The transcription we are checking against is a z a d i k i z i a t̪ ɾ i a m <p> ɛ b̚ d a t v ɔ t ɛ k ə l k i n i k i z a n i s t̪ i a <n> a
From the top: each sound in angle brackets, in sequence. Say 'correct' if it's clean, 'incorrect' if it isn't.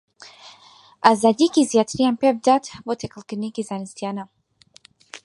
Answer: correct, correct

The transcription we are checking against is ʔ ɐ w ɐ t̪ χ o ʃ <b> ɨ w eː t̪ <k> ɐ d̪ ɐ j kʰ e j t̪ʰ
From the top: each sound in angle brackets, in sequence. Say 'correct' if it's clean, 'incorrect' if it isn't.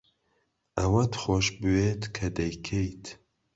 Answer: correct, incorrect: kʰ

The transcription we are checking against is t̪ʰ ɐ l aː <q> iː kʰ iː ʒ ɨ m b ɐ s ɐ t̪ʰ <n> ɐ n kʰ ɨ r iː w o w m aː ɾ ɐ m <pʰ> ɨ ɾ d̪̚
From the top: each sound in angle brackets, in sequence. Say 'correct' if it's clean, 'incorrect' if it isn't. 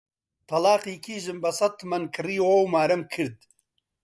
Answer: correct, incorrect: m, incorrect: kʰ

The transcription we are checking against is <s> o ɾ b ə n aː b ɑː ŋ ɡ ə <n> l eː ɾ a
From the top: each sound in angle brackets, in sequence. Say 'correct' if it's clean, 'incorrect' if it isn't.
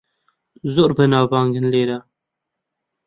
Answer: incorrect: z, correct

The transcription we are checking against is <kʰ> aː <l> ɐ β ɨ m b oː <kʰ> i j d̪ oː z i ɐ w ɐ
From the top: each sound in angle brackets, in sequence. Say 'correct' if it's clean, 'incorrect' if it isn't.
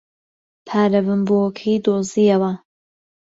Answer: incorrect: pʰ, incorrect: ɾ, correct

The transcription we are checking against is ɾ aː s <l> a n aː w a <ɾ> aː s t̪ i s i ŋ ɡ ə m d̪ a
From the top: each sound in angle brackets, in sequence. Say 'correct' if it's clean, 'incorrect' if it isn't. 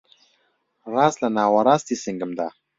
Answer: correct, correct

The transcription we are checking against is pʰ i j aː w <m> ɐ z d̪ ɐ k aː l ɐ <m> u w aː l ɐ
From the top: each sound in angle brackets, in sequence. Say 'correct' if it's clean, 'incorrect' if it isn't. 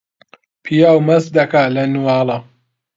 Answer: correct, incorrect: n

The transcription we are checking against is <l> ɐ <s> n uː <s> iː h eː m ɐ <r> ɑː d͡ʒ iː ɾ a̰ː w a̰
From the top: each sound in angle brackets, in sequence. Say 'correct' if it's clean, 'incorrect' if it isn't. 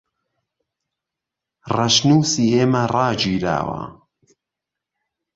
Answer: incorrect: r, incorrect: ʃ, correct, correct

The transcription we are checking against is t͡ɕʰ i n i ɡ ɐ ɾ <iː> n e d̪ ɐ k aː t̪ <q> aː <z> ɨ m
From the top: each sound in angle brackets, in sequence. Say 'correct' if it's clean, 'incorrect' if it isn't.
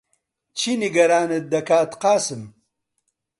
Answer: incorrect: aː, correct, incorrect: s

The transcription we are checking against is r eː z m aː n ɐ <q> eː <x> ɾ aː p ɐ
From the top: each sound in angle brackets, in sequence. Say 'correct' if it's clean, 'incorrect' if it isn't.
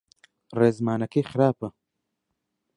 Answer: incorrect: k, correct

